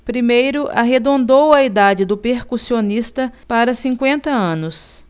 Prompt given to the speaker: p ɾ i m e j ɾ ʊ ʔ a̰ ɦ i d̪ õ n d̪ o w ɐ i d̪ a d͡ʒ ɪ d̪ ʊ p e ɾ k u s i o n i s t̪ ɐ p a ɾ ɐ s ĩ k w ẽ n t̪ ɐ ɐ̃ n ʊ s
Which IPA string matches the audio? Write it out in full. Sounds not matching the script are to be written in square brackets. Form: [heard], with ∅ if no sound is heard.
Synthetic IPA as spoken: p ɾ i m e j ɾ ʊ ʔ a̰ ɦ [e] d̪ õ n d̪ o w ɐ i d̪ a d͡ʒ ɪ d̪ ʊ p e ɾ k u s i o n i s t̪ ɐ p a ɾ ɐ s ĩ k w ẽ n t̪ ɐ ɐ̃ n ʊ s